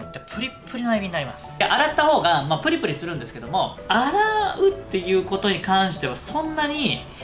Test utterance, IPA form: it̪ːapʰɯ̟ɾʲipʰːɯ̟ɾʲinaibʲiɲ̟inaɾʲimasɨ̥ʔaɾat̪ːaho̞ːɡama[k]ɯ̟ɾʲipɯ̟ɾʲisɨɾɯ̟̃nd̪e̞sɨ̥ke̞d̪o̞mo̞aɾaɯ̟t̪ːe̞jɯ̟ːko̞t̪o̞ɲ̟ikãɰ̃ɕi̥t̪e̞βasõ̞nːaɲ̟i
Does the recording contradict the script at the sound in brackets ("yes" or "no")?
yes